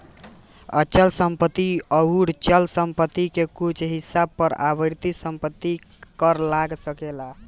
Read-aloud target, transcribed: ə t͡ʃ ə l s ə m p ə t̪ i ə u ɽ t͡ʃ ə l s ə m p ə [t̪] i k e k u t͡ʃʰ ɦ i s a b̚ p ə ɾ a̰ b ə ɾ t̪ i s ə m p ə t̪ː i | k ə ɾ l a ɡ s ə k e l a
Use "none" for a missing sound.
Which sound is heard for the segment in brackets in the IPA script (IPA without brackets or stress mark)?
t̪